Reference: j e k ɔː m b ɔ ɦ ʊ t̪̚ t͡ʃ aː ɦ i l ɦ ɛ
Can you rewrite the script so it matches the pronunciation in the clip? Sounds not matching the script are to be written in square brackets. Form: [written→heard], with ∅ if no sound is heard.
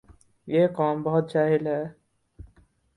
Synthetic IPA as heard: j e k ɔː m b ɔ ɦ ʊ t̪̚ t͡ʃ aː ɦ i l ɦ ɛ